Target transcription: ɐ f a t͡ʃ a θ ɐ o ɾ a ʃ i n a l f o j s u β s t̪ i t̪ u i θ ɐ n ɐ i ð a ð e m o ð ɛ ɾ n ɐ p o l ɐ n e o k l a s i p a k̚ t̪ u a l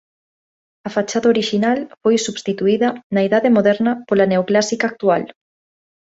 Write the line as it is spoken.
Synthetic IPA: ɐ f a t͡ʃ a ð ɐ o ɾ i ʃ i n a l f o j s u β s t̪ i t̪ u i ð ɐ n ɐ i ð a ð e m o ð ɛ ɾ n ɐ p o l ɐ n e o k l a s i k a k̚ t̪ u a l